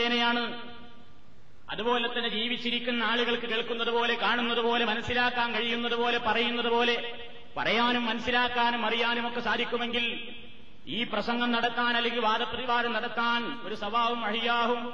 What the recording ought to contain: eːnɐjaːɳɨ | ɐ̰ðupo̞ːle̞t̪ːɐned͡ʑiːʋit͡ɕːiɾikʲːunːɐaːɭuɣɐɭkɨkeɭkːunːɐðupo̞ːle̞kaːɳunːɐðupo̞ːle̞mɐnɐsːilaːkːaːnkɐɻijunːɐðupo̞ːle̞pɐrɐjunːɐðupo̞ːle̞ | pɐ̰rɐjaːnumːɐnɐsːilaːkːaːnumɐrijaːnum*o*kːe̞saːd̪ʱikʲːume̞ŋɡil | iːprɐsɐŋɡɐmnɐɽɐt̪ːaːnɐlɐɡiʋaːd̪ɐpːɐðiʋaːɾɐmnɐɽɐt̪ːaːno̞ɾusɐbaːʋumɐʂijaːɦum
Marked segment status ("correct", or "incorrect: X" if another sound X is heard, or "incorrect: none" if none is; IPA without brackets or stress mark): correct